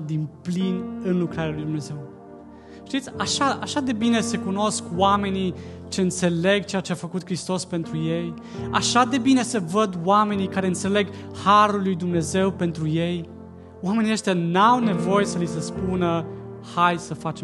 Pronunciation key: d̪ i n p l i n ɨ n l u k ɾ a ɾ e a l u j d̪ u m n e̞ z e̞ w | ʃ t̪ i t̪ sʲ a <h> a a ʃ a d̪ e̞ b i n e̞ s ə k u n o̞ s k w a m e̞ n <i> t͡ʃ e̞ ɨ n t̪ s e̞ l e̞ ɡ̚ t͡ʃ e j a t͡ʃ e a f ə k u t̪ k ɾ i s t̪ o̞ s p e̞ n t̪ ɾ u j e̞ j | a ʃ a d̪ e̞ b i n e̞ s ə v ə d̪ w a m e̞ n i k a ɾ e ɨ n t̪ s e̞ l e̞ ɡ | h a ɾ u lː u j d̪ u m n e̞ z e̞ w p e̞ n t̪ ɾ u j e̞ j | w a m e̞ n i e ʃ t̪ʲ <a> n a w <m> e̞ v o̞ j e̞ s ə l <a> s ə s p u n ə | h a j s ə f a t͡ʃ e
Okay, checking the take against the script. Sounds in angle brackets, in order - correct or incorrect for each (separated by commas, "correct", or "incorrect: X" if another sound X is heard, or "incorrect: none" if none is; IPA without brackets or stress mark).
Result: incorrect: ʃ, correct, correct, incorrect: n, incorrect: i